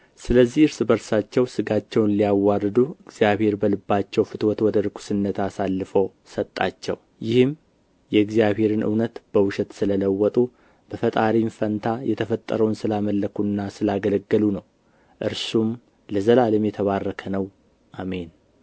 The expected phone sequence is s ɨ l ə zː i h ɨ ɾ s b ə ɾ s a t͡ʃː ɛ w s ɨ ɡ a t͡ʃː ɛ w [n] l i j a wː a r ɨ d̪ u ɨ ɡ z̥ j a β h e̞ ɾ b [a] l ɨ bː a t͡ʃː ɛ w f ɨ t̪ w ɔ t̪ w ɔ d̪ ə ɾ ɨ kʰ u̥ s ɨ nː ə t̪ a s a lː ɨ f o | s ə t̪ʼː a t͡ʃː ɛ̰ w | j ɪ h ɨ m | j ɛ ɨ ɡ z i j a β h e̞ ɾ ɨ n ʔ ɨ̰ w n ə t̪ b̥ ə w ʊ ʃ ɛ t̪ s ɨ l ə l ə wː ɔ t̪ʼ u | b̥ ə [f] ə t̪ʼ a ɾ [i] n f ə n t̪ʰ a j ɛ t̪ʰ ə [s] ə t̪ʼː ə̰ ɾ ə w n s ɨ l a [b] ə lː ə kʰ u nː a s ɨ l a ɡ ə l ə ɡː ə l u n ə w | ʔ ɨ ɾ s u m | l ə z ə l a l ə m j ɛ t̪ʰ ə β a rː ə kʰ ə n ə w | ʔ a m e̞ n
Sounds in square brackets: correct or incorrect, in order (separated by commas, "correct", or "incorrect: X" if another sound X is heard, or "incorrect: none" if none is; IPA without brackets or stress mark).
correct, incorrect: ə, correct, correct, incorrect: f, incorrect: m